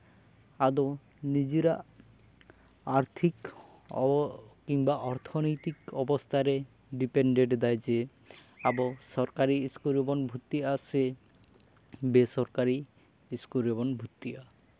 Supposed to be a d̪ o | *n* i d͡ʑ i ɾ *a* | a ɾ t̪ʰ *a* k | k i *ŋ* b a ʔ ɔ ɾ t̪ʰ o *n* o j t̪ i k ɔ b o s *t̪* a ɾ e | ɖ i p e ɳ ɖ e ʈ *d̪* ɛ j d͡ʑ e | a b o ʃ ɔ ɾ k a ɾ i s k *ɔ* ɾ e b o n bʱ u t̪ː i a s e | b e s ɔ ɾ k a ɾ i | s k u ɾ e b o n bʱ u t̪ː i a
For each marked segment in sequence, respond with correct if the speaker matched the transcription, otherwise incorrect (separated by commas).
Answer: correct, correct, incorrect, correct, correct, incorrect, correct, incorrect